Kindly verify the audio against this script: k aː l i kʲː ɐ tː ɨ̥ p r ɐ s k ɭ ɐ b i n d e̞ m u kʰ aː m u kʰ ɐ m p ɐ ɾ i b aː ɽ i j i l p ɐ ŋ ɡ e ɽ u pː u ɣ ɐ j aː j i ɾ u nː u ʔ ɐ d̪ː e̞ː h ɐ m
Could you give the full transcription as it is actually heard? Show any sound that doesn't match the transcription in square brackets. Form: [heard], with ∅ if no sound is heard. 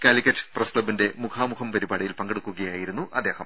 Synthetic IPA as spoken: k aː l i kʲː ɐ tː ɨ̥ p r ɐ s k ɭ ɐ b i n d e̞ m u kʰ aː m u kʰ ɐ m p ɐ ɾ i b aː ɽ i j i l p ɐ ŋ ɡ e ɽ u [kː] u ɣ ɐ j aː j i ɾ u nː u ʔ ɐ d̪ː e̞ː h ɐ m

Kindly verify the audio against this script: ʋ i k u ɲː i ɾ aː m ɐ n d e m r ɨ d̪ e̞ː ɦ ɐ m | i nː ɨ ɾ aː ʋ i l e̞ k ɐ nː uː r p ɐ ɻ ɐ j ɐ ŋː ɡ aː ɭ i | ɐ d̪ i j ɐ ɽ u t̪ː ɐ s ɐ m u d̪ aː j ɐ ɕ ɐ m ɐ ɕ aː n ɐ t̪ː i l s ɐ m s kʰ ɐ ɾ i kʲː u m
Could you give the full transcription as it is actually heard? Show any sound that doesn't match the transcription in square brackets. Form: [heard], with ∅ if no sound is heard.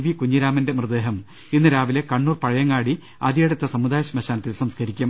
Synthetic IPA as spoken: ʋ i k u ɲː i ɾ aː m ɐ n d e m r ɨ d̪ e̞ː ɦ ɐ m | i nː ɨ ɾ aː ʋ i l e̞ k ɐ [ɳː] uː r p ɐ ɻ ɐ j ɐ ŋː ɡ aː [ɽ] i | ɐ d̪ i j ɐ ɽ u t̪ː ɐ s ɐ m u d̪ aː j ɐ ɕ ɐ m ɐ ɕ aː n ɐ t̪ː i l s ɐ m s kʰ ɐ ɾ i kʲː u m

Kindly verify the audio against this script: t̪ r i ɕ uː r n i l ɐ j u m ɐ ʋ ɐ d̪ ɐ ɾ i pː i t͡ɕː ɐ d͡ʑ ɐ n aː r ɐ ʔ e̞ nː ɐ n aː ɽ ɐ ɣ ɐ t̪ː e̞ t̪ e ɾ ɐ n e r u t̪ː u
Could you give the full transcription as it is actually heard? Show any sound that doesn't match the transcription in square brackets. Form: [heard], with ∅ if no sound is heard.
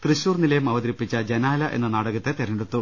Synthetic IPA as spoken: t̪ r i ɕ uː r n i l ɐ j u m ɐ ʋ ɐ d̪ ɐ ɾ i pː i t͡ɕː ɐ d͡ʑ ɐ n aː [l] ɐ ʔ e̞ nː ɐ n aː ɽ ɐ ɣ ɐ t̪ː e̞ t̪ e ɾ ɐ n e [ɽ] u t̪ː u

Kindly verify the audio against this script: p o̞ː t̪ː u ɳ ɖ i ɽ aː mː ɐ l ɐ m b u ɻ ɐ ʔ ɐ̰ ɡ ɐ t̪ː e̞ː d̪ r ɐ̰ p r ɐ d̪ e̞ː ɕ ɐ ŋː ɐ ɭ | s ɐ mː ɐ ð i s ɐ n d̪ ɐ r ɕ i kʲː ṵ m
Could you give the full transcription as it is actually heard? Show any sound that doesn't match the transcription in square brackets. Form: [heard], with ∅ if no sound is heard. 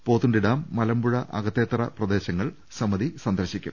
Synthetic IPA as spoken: p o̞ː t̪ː u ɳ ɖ i ɽ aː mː ɐ l ɐ m b u ɻ ɐ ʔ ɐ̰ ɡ ɐ t̪ː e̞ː [t̪] r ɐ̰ p r ɐ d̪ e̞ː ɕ ɐ ŋː ɐ ɭ | s ɐ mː ɐ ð i s ɐ n d̪ ɐ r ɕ i kʲː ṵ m

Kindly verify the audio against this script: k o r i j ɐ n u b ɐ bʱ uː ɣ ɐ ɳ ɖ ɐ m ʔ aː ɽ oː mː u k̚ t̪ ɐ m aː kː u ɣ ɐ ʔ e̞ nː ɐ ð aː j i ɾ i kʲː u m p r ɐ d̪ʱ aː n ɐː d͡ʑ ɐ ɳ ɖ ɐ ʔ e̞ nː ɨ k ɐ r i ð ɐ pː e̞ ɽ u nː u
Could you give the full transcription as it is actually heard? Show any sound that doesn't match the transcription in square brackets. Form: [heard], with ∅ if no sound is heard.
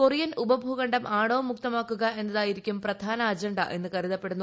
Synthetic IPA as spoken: k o r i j ɐ n u b ɐ bʱ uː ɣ ɐ ɳ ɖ ɐ m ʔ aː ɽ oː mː u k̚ t̪ ɐ m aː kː u ɣ ɐ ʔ e̞ nː ɐ ð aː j i ɾ i kʲː u m p r ɐ d̪ʱ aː n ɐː d͡ʑ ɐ ɳ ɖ ɐ ʔ e̞ nː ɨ k ɐ r i ð ɐ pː e̞ ɽ u nː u

